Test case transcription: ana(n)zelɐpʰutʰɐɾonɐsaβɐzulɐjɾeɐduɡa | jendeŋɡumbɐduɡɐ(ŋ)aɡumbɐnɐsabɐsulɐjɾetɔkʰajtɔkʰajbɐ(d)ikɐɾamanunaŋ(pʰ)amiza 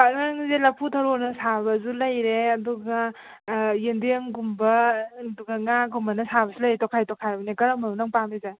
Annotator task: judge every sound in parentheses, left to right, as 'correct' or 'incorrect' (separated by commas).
incorrect, correct, incorrect, incorrect